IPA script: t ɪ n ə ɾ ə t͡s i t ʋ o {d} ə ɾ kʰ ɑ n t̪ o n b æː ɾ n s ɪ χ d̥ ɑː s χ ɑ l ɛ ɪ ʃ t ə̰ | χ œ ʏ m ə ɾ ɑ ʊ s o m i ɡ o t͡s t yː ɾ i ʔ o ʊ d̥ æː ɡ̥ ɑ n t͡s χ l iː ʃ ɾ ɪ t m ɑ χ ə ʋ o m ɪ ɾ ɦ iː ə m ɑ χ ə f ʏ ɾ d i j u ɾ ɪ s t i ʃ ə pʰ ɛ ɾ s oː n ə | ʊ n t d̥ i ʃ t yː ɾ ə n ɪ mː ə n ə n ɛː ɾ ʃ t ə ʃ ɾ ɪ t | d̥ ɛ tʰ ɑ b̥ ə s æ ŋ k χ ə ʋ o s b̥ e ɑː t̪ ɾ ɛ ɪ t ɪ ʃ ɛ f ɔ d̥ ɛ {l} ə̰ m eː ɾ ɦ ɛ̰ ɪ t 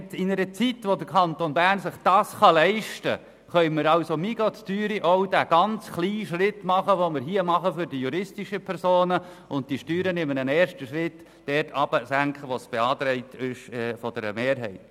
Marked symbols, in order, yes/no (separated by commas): yes, no